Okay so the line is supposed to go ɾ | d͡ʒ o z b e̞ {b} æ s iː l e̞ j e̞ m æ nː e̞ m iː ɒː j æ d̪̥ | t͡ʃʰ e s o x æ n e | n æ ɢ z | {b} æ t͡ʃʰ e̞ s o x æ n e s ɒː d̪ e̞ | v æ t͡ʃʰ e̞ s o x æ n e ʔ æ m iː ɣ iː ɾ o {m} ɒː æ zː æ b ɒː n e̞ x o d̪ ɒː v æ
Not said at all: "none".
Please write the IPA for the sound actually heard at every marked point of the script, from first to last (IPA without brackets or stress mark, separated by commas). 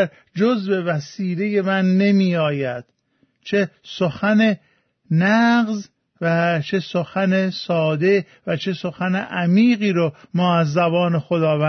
v, v, m